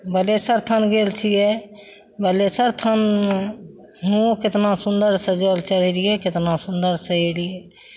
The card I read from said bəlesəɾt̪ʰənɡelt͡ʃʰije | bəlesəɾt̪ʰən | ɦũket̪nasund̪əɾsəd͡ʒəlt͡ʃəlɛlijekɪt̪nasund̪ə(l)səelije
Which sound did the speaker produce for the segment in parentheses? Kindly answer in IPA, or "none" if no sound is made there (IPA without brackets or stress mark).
ɾ